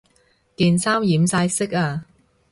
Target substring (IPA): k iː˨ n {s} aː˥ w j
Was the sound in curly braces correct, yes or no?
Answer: yes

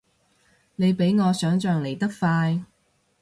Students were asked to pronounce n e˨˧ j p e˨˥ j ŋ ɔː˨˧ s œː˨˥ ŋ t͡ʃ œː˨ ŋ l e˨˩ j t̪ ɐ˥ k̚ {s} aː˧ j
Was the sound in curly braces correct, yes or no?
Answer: no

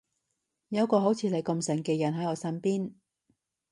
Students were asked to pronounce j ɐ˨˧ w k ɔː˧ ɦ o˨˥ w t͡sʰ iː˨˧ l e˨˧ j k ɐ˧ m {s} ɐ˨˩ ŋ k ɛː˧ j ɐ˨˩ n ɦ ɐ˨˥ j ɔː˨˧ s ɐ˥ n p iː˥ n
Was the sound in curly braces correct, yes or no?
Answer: yes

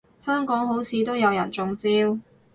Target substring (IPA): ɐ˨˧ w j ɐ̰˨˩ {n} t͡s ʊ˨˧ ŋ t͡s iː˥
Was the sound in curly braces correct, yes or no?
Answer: yes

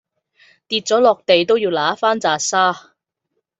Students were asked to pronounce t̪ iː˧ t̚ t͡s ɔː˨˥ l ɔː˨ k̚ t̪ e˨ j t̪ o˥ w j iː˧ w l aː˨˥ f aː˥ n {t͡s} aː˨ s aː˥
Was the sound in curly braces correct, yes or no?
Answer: yes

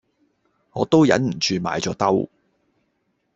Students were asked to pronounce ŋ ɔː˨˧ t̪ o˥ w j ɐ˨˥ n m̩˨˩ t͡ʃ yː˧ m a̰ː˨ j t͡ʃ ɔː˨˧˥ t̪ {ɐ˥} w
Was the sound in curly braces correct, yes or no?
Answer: yes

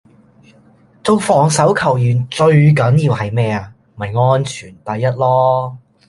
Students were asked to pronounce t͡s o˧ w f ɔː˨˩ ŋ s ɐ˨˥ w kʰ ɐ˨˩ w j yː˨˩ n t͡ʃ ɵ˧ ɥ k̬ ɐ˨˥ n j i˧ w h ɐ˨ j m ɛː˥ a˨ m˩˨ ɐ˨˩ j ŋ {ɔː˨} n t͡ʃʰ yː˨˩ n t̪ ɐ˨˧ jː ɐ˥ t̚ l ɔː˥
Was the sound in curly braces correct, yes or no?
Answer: no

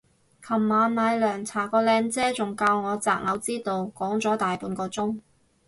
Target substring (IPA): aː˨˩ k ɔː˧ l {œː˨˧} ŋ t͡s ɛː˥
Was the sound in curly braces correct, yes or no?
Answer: no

